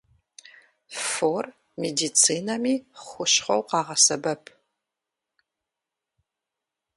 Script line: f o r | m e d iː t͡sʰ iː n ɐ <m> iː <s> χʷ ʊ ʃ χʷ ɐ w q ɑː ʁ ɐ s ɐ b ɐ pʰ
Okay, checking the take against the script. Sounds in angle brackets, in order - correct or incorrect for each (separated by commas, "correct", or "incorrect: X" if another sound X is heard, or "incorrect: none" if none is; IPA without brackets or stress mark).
correct, incorrect: none